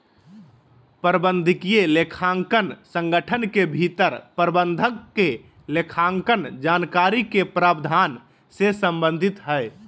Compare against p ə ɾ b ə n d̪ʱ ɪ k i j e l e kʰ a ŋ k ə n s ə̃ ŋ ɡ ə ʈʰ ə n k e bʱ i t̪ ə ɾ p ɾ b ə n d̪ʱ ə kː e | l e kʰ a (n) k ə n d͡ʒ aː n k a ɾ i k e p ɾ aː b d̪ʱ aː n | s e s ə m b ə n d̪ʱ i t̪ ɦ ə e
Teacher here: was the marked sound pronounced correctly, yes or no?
no